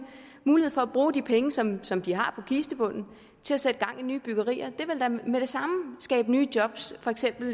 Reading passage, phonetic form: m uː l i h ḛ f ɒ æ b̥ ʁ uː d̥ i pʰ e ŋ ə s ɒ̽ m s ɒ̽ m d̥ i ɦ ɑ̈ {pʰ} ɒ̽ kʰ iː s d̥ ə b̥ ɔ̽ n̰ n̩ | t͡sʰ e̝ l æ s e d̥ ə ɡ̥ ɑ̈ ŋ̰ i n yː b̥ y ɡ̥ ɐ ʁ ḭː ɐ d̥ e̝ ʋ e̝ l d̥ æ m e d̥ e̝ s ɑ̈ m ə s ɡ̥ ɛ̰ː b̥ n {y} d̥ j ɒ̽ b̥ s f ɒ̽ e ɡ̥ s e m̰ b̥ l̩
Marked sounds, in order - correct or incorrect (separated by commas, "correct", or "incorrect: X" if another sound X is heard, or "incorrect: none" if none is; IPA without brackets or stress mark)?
correct, incorrect: yː